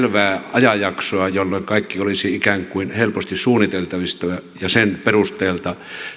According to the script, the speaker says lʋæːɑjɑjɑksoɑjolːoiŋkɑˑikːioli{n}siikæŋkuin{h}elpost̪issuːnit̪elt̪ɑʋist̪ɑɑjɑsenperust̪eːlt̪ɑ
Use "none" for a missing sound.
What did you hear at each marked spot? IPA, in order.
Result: none, h

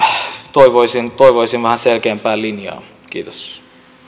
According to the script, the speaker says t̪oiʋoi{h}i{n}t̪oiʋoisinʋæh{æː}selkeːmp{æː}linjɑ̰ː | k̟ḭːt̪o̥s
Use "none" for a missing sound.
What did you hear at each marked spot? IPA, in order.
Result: s, n, æ, æː

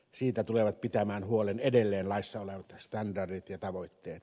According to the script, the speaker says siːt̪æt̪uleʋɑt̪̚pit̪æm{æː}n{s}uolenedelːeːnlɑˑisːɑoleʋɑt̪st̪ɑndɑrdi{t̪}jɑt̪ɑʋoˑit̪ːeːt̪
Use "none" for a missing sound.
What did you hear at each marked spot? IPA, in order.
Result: æː, h, t̪

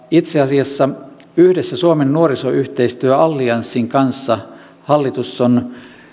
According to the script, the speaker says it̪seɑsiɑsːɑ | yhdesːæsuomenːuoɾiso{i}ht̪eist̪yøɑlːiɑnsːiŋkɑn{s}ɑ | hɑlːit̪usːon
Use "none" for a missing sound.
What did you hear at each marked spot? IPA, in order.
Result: y, sː

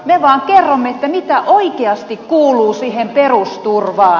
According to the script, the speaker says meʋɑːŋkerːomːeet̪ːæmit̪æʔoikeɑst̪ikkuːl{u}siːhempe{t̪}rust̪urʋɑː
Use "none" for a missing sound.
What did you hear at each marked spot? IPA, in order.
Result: uː, none

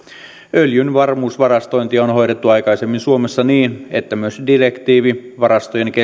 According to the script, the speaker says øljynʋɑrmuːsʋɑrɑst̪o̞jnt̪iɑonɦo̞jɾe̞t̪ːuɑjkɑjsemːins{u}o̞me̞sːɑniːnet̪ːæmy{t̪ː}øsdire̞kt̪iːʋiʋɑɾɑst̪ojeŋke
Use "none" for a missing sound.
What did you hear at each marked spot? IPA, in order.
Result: u, none

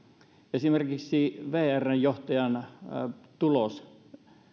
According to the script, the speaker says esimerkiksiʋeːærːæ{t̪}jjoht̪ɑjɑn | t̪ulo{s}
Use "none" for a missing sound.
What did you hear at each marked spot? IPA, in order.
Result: none, s

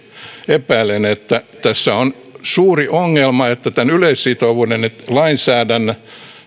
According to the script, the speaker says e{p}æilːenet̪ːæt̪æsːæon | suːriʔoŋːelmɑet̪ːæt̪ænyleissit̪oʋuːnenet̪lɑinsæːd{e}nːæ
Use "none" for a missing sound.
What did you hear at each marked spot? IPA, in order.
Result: p, æ

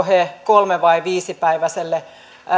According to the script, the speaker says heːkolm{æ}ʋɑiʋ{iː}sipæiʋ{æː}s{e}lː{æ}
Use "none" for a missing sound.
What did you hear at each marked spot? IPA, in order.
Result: e, iː, æ, e, e

